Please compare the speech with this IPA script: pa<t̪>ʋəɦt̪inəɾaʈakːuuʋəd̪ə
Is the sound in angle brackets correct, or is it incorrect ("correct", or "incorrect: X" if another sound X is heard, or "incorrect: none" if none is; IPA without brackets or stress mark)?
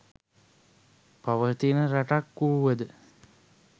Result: incorrect: none